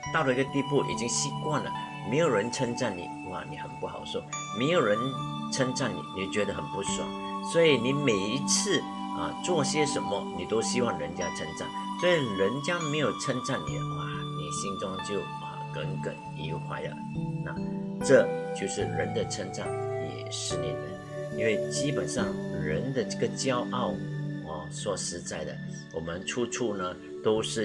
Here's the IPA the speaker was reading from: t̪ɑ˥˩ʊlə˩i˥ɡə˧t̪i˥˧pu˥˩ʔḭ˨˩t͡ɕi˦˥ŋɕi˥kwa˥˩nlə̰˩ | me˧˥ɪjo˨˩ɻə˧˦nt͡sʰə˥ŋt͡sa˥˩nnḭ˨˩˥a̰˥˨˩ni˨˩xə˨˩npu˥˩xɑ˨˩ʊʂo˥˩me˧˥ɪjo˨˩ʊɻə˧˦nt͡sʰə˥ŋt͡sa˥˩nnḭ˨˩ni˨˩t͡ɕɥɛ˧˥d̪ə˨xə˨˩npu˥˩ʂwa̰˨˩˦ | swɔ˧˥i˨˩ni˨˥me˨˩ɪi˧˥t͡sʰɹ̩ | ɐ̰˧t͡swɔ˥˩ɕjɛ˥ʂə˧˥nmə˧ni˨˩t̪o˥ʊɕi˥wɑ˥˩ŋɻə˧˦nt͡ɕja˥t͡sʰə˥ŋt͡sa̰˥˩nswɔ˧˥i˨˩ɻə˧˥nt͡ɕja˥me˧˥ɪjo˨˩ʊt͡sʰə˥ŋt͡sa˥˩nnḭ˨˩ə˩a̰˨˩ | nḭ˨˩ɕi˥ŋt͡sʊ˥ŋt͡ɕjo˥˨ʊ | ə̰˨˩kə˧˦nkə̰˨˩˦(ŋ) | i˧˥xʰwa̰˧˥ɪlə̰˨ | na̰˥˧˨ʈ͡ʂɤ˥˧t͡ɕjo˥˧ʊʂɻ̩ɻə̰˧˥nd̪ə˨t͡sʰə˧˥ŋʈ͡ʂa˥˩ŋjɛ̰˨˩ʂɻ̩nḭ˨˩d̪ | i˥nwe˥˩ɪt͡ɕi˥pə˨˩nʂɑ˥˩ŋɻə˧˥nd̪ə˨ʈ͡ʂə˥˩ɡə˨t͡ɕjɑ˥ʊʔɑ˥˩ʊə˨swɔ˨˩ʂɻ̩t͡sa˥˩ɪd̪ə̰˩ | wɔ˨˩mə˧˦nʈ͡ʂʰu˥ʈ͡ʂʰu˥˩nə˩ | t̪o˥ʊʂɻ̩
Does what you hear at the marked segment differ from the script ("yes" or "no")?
yes